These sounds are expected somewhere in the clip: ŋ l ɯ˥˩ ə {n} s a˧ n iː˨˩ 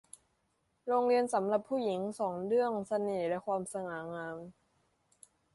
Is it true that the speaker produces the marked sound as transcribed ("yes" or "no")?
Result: no